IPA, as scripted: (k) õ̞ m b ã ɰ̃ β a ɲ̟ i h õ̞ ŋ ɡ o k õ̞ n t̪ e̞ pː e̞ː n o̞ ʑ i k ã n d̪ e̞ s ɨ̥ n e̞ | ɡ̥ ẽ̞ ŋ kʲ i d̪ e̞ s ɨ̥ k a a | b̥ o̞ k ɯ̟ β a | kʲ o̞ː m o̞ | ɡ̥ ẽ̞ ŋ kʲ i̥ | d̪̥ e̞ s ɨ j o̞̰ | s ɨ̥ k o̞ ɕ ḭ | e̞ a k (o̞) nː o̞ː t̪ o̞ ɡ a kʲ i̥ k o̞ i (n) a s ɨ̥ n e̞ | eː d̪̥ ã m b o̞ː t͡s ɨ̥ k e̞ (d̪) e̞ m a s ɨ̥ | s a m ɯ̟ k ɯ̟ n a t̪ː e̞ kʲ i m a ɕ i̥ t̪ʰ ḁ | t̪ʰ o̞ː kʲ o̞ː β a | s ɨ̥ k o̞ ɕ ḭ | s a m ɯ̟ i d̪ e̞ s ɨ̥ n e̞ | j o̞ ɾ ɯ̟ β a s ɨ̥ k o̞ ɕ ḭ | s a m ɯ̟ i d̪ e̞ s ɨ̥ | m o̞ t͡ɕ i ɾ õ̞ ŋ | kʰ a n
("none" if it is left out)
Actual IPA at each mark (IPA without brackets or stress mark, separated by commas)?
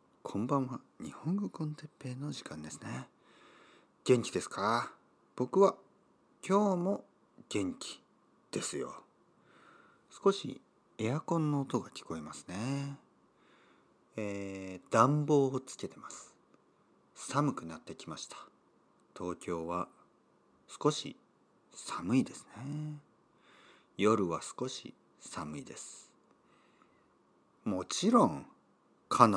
kʰ, õ̞, m, t̪